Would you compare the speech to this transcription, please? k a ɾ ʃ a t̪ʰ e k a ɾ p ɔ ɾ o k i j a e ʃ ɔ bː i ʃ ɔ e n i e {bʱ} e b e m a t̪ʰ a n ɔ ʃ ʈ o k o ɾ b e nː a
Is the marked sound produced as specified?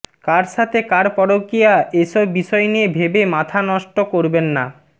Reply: yes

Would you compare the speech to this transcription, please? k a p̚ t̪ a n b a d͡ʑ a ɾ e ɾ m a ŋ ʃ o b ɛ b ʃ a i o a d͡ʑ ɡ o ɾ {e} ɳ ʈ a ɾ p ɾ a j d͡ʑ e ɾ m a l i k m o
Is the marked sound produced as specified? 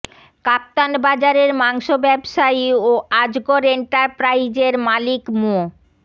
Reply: yes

